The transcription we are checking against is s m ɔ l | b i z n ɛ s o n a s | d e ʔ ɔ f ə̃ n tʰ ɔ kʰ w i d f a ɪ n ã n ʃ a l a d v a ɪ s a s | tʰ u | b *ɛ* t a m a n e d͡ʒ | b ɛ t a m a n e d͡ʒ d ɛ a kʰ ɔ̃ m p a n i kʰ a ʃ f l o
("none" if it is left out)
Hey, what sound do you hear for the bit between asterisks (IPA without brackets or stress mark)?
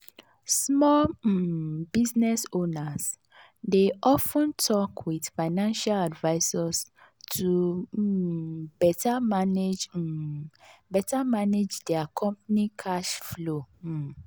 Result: ɛ